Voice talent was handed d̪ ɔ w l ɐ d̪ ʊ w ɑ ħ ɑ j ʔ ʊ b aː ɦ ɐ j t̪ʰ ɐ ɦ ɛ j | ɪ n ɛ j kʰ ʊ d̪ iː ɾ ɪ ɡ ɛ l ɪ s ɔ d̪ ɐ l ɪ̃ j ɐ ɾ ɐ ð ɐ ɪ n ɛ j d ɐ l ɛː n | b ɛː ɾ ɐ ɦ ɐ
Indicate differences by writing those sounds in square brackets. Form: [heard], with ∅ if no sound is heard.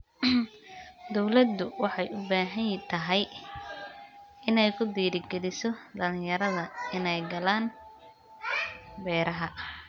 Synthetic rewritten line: d̪ ɔ w l ɐ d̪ ʊ w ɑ ħ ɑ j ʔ ʊ b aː ɦ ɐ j t̪ʰ ɐ ɦ ɛ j | ɪ n ɛ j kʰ ʊ d̪ iː ɾ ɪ ɡ ɛ l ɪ s ɔ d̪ ɐ l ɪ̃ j ɐ ɾ ɐ ð ɐ ɪ n ɛ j [ɡ] ɐ l [aː] n | b ɛː ɾ ɐ ɦ ɐ